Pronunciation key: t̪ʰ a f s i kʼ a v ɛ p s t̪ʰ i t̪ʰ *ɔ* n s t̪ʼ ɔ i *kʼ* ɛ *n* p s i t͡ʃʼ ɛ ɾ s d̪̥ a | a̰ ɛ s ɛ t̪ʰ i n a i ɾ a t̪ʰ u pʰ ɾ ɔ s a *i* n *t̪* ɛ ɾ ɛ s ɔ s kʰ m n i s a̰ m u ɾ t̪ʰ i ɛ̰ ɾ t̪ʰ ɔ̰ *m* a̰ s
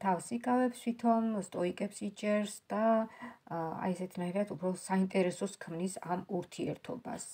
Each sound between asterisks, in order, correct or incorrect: correct, correct, incorrect: none, correct, incorrect: t̪ʼ, incorrect: b

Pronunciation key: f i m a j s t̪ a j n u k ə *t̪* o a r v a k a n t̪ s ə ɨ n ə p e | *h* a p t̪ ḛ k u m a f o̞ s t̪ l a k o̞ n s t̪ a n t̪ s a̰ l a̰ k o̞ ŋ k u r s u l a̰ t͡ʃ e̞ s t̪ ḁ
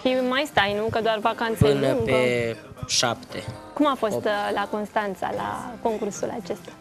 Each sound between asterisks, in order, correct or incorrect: incorrect: d̪, incorrect: ʃ

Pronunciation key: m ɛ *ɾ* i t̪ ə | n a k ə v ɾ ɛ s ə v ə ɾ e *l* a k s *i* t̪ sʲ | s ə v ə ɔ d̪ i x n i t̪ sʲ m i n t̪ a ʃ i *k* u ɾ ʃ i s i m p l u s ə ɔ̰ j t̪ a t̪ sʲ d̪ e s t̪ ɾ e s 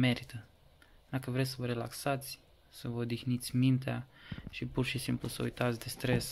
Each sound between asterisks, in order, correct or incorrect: correct, correct, incorrect: a, incorrect: p

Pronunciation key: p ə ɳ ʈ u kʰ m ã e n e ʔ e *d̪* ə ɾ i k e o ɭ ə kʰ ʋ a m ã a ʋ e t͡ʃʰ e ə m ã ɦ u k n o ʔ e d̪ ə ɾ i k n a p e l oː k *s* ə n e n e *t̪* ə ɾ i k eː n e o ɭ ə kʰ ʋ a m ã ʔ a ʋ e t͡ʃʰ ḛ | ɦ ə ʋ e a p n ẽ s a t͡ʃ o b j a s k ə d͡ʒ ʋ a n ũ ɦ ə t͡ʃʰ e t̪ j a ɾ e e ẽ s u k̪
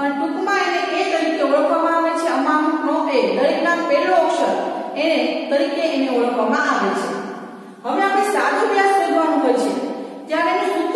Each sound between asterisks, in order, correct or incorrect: incorrect: t̪, incorrect: ʃ, correct

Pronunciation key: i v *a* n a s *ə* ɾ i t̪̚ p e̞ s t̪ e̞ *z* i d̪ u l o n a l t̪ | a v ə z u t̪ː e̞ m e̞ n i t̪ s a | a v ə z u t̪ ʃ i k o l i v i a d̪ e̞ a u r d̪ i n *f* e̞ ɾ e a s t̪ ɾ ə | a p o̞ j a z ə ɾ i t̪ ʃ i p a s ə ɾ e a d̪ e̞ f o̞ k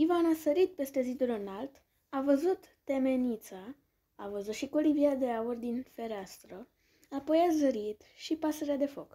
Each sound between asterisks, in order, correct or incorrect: correct, correct, correct, correct

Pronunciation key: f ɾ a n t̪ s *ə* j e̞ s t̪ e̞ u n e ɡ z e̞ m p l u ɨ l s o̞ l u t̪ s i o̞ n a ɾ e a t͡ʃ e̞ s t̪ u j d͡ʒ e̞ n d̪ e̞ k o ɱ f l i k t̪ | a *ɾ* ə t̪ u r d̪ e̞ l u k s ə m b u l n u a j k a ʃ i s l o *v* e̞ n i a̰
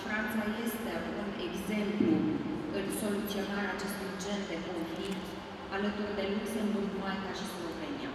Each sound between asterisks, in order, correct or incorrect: incorrect: a, incorrect: l, correct

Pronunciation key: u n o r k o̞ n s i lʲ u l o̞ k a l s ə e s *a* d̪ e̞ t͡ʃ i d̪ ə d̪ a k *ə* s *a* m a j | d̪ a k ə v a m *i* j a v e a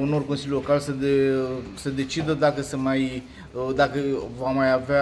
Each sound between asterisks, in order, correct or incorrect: incorrect: ə, correct, incorrect: ə, incorrect: a

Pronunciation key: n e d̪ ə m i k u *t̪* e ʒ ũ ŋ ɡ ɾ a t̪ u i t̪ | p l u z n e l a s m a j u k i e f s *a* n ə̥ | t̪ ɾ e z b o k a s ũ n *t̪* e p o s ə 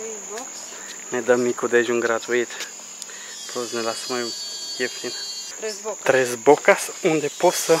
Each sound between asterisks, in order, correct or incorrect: incorrect: d̪, incorrect: i, incorrect: d̪

